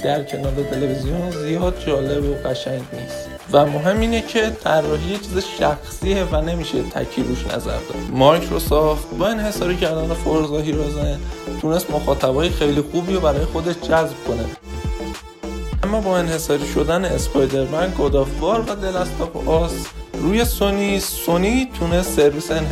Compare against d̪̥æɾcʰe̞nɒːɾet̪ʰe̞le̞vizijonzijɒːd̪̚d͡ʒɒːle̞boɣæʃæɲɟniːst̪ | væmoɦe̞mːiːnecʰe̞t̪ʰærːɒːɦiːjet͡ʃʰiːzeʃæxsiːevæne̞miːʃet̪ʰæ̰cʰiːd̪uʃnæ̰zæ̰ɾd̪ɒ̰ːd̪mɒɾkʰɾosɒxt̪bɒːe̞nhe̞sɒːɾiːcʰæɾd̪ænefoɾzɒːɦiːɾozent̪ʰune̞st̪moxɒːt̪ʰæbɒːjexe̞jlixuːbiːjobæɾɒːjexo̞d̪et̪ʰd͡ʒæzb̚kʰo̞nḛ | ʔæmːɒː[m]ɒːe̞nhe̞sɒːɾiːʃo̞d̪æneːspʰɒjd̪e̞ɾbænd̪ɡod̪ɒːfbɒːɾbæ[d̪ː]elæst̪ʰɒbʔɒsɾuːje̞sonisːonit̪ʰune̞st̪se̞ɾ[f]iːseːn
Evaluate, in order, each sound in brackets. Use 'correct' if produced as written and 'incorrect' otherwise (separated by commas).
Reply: incorrect, incorrect, incorrect